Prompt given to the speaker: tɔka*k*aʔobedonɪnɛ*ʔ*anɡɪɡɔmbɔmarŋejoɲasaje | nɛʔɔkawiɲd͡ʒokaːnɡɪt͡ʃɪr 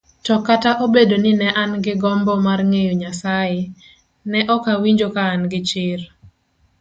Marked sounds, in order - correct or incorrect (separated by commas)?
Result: incorrect, correct